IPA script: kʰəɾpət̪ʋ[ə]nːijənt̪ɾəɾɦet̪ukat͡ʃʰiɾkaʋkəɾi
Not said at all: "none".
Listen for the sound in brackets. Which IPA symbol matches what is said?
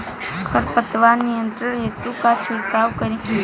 a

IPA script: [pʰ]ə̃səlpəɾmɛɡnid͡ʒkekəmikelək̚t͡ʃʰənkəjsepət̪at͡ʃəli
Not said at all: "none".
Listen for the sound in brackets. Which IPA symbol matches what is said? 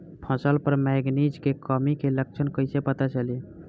pʰ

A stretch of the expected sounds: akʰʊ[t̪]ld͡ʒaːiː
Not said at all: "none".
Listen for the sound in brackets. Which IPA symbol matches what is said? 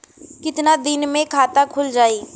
none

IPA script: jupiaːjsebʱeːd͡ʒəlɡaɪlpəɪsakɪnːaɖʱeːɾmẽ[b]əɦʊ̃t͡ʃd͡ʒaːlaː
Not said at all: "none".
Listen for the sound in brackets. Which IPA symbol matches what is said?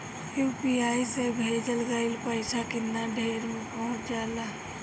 p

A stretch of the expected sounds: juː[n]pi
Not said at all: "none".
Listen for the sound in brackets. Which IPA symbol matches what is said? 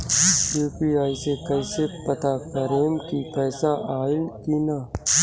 none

